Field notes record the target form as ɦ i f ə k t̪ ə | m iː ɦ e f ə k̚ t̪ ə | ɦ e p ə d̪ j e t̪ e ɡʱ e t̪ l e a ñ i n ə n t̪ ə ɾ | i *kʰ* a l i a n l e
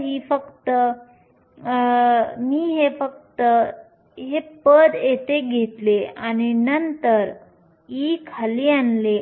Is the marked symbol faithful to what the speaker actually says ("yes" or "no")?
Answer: yes